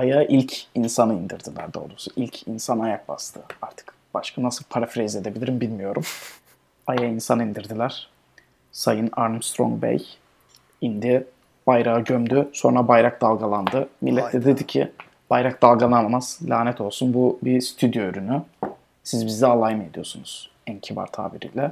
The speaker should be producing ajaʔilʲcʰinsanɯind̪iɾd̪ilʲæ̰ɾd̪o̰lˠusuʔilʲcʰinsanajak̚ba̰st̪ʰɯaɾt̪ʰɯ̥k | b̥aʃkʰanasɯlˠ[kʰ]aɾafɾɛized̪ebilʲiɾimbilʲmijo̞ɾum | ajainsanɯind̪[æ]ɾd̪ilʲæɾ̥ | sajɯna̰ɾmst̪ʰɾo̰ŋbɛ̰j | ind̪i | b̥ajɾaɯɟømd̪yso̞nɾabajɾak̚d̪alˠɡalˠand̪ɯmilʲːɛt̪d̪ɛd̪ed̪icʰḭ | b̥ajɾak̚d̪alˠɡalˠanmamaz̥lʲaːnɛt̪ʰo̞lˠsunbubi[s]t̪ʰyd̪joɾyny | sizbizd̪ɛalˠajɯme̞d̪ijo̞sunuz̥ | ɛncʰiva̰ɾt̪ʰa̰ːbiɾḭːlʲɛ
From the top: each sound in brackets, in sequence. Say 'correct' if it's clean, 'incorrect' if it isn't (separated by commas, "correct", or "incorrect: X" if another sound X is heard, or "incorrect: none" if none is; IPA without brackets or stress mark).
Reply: incorrect: pʰ, incorrect: i, correct